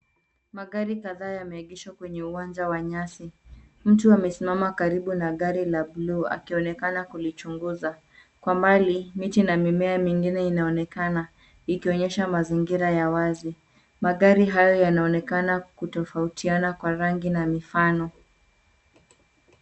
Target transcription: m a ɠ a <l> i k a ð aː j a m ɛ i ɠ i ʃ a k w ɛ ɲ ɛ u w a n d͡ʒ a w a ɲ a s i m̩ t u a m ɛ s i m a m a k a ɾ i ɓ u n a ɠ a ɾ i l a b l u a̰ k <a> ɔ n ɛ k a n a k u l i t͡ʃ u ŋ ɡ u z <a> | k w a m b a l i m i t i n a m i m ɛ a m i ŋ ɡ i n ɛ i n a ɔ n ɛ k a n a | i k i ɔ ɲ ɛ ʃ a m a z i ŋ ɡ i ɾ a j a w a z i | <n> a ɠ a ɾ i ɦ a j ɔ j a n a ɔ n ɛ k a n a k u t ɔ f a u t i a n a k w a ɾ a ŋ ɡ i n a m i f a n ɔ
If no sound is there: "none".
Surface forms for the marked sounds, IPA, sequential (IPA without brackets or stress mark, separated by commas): ɾ, i, a, m